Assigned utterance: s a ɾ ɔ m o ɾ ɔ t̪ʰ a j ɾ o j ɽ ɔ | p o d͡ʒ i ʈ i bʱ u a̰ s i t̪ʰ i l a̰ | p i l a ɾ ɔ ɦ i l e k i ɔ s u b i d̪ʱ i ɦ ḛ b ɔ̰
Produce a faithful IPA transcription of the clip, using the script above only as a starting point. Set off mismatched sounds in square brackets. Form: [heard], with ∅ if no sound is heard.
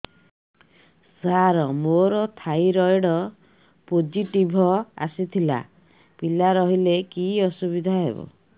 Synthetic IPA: s a ɾ ɔ m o ɾ ɔ t̪ʰ a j ɾ [ɔ] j ɽ ɔ | p o d͡ʒ i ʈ i bʱ [ɔ] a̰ s i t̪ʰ i l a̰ | p i l a ɾ ɔ ɦ i l e k i ɔ s u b i d̪ʱ [a] ɦ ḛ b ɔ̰